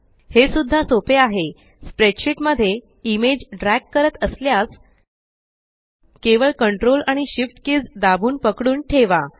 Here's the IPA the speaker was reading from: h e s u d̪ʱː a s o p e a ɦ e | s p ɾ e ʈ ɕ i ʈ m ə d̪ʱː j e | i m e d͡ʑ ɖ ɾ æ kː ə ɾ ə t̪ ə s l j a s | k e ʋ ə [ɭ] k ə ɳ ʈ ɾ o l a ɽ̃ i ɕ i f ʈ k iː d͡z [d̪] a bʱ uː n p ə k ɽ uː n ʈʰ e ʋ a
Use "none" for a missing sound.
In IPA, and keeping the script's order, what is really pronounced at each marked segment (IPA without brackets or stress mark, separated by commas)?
ɭ, d̪